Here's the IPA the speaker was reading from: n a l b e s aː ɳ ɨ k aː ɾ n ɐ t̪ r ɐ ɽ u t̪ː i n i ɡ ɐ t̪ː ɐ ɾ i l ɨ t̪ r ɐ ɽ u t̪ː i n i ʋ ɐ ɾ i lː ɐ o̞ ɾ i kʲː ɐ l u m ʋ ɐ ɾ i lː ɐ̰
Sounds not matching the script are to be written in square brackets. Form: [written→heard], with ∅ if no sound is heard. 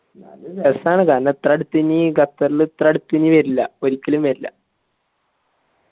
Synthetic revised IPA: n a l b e s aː ɳ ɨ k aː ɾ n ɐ t̪ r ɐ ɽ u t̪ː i n i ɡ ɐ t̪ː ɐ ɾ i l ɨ t̪ r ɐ ɽ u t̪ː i n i ʋ ɐ ɾ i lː ɐ o̞ ɾ i kʲː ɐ l u m ʋ ɐ ɾ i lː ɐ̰